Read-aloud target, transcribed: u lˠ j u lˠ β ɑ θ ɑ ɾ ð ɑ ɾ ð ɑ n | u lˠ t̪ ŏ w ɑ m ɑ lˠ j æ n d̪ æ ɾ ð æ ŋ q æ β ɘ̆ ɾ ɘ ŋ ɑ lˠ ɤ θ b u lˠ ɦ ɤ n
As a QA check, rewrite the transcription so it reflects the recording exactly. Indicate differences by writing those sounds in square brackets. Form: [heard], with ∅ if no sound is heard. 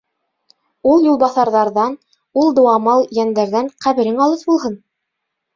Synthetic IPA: u lˠ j u lˠ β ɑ θ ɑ ɾ ð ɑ ɾ ð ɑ n | u lˠ [d̪] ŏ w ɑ m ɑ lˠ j æ n d̪ æ ɾ ð æ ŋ q æ β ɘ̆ ɾ ɘ ŋ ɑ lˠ ɤ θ b u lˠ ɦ ɤ n